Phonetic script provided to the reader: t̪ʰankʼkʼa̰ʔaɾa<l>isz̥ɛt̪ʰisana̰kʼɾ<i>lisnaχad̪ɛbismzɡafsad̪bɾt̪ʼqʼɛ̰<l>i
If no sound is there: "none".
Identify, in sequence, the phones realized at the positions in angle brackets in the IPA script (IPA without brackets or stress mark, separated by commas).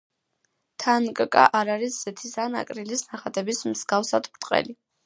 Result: ɾ, i, l